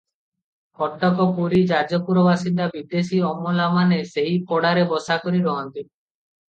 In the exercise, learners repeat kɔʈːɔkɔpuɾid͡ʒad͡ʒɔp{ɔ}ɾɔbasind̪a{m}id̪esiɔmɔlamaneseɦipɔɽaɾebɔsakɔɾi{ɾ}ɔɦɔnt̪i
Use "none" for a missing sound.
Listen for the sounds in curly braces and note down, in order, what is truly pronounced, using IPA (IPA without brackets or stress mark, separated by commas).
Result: u, b, ɾ